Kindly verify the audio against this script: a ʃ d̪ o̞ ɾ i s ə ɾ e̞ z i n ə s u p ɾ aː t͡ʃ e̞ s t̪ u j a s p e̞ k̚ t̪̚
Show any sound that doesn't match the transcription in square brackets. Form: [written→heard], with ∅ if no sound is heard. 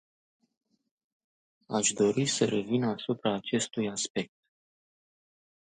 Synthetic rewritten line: a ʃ d̪ o̞ ɾ i s ə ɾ e̞ [z→v] i n [ə→a] s u p ɾ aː t͡ʃ e̞ s t̪ u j a s p e̞ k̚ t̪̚